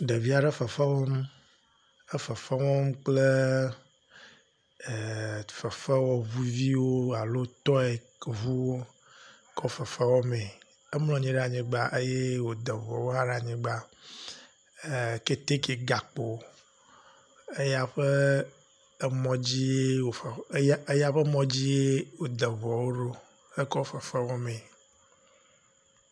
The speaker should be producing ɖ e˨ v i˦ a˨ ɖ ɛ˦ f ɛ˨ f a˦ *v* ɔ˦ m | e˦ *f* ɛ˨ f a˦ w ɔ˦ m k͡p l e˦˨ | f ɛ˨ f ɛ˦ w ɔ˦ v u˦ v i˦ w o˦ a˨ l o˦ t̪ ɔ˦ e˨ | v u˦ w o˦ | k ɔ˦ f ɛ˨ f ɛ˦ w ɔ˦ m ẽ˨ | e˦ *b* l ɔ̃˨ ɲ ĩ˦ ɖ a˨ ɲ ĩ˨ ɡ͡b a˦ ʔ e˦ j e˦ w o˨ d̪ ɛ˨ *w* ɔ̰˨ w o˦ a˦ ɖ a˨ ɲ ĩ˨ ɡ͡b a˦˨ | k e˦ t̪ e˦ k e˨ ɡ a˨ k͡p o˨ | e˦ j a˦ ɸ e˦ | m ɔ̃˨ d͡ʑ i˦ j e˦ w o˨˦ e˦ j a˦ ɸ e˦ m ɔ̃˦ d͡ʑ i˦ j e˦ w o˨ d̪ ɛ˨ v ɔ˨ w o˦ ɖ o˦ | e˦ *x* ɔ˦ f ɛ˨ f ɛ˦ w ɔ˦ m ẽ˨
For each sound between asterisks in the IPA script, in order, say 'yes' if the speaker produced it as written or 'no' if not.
no, yes, no, no, no

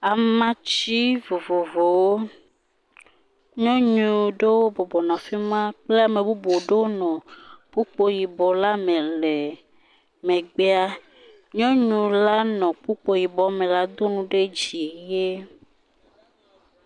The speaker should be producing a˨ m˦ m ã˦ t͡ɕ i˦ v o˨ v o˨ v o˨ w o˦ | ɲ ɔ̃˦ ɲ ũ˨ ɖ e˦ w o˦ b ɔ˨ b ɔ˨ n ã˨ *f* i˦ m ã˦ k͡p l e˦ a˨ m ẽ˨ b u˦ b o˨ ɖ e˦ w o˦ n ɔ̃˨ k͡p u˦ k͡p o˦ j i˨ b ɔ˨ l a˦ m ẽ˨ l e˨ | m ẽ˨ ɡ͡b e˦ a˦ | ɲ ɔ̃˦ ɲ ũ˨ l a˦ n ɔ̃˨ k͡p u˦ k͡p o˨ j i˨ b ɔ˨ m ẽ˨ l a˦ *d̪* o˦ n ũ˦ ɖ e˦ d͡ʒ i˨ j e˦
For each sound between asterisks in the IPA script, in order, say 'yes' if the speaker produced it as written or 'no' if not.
yes, yes

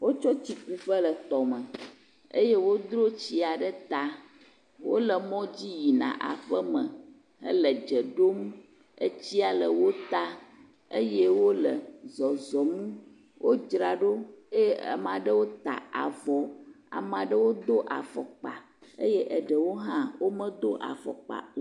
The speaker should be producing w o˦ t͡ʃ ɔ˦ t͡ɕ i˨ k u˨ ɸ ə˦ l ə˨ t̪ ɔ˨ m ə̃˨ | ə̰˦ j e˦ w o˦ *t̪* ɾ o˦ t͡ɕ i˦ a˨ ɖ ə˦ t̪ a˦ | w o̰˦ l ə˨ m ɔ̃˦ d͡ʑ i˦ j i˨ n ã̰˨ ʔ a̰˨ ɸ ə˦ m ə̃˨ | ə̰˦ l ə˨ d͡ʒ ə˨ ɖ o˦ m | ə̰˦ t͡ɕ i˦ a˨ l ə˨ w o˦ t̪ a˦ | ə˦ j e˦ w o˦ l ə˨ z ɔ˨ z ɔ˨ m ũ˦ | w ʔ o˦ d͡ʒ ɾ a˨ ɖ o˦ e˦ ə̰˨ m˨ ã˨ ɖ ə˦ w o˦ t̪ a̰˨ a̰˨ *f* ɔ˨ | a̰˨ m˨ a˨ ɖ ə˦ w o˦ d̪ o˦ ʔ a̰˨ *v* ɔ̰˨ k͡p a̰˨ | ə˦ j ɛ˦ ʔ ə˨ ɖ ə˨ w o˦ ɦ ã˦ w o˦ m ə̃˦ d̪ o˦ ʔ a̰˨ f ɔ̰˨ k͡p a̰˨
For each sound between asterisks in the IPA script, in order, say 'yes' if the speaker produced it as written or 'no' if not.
no, no, no

